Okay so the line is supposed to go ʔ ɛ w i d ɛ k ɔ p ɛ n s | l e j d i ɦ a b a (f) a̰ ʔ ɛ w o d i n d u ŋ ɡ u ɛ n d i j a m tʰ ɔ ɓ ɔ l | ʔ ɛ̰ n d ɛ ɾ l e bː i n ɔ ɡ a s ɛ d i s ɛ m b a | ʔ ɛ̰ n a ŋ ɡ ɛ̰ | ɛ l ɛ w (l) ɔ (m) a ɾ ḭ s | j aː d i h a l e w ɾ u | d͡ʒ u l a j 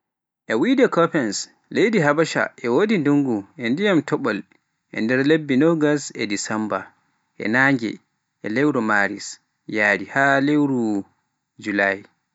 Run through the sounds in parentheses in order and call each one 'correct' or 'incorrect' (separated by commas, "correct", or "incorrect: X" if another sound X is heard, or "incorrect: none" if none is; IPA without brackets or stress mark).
incorrect: ʃ, incorrect: ɾ, correct